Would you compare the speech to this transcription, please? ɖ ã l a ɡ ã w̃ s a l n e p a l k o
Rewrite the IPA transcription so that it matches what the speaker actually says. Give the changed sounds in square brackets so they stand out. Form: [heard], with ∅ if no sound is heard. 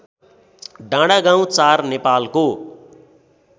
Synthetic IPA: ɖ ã [ɽ] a ɡ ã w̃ [t͡s] a [r] n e p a l k o